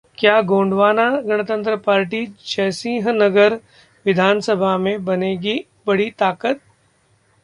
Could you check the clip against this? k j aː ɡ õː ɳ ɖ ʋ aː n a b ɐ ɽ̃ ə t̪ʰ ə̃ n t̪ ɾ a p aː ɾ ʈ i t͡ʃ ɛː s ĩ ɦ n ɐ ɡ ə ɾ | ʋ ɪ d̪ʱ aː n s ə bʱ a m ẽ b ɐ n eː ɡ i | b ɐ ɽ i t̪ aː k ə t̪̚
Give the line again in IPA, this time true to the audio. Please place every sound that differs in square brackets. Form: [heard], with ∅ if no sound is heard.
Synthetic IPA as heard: k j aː ɡ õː ɳ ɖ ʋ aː n a [ɡ] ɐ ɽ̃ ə [t̪] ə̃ n t̪ ɾ [ə] p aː ɾ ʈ i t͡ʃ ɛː s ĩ ɦ n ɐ ɡ ə ɾ | ʋ ɪ d̪ʱ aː n s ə bʱ a m ẽ b ɐ n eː ɡ i | b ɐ ɽ i t̪ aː k ə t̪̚

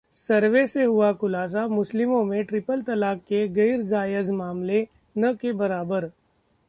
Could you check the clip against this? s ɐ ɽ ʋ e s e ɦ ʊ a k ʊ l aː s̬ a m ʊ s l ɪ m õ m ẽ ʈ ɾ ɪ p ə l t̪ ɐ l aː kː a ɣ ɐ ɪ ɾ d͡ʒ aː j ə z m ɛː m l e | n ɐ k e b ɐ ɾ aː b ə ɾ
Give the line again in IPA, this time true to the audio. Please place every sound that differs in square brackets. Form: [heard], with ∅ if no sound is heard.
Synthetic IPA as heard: s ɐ [ɾ] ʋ e s e ɦ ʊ a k ʊ l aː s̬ a m ʊ s l ɪ m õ m ẽ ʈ ɾ ɪ p ə l t̪ ɐ l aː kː [e] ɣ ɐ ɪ ɾ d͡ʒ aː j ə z m [aː] m l e | n ɐ k e b ɐ ɾ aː b ə ɾ

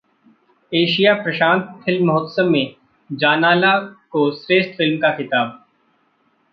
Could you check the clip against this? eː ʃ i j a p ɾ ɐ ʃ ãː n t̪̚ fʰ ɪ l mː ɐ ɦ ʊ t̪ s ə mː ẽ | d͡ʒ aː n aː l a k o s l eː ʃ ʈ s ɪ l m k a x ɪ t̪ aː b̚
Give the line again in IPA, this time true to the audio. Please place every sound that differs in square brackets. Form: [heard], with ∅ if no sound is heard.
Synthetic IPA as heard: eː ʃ i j a p ɾ ɐ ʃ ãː n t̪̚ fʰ ɪ l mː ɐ ɦ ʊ t̪ s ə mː ẽ | d͡ʒ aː n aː l a k o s [ɾ] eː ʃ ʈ [f] ɪ l m k a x ɪ t̪ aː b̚

